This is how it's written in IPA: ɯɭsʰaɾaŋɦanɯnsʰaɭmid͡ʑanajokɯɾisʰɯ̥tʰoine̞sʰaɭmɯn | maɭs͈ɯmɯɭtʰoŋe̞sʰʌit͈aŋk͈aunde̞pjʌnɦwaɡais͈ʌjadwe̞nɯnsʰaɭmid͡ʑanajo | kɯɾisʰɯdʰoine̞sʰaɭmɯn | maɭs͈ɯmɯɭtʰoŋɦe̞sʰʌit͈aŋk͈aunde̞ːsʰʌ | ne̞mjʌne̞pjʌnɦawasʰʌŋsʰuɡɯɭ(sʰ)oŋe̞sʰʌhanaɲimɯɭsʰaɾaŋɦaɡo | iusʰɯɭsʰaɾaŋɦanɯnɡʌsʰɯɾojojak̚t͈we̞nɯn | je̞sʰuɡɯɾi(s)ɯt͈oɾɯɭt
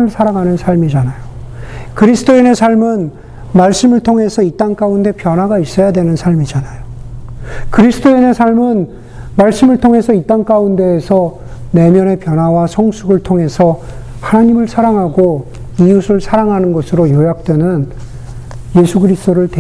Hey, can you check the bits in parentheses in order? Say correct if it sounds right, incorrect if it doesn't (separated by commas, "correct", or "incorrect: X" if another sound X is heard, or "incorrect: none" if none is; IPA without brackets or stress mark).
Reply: incorrect: tʰ, correct